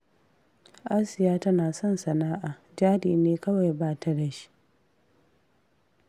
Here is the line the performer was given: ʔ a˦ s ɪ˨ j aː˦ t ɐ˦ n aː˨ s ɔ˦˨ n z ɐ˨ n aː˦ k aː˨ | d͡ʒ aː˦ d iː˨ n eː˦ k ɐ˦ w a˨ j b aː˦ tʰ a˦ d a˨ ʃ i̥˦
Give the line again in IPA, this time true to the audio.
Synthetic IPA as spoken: ʔ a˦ s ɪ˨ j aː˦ t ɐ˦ n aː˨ s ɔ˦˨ n s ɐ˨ n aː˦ ʔ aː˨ | d͡ʒ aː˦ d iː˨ n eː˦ k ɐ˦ w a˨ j b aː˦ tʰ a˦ d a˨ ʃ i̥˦